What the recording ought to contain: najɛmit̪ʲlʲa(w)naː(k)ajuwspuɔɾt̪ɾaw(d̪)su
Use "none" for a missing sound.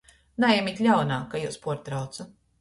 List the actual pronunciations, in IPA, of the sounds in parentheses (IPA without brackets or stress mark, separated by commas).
w, k, t̪